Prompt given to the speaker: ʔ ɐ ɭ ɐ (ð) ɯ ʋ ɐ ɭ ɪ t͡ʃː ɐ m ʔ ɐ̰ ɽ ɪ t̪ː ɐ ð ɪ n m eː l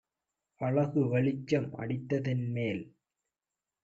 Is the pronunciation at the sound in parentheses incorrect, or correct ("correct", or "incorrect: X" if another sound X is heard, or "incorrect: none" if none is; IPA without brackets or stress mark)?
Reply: incorrect: ɣ